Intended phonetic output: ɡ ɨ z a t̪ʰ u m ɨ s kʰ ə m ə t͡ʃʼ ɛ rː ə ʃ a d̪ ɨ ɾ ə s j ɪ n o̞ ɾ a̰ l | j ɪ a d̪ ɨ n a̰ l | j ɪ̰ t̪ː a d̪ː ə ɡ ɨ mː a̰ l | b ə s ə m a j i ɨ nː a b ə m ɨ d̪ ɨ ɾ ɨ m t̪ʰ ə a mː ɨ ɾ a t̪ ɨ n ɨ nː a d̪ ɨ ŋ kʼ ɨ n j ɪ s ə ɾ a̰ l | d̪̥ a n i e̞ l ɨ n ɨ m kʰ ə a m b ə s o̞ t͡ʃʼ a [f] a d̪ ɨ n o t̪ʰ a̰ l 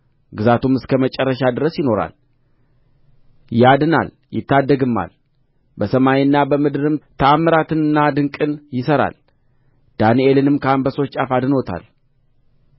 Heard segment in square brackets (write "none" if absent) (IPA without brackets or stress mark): f